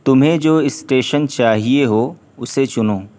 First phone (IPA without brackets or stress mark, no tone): t̪